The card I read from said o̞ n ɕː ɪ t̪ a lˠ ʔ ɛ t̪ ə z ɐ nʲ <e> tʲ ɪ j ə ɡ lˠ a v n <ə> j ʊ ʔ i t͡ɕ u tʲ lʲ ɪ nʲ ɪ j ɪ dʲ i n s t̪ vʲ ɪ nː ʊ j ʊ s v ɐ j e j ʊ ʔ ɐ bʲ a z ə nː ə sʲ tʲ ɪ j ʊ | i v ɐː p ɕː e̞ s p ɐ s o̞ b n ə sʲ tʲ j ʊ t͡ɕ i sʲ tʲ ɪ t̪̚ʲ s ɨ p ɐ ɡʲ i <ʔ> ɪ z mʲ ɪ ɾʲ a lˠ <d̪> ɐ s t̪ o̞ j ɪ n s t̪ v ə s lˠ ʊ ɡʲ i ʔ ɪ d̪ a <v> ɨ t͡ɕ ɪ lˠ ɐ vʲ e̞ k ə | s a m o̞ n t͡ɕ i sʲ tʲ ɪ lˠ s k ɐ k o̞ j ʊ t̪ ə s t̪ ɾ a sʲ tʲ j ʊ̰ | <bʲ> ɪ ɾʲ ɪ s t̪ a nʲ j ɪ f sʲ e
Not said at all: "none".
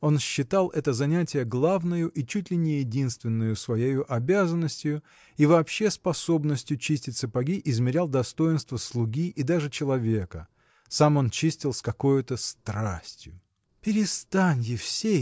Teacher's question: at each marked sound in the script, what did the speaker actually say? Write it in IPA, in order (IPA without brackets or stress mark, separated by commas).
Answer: æ, ə, ʔ, d̪, ʐ, pʲ